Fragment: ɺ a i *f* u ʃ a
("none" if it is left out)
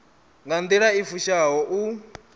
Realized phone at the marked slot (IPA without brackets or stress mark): f